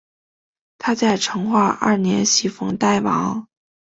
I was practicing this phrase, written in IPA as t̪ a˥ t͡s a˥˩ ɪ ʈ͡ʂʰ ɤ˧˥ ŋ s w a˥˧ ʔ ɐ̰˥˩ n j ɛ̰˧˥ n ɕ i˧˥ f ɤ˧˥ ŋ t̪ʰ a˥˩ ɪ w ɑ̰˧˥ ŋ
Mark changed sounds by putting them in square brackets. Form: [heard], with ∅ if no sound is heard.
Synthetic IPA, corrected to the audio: [t̪ʰ] a˥ t͡s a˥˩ ɪ ʈ͡ʂʰ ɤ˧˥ ŋ [x] w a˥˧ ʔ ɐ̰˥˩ n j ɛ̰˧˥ n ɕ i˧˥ f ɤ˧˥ ŋ [t̪] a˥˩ ɪ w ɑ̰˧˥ ŋ